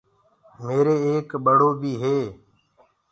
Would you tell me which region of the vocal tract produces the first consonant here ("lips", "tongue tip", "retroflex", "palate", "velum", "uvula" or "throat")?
lips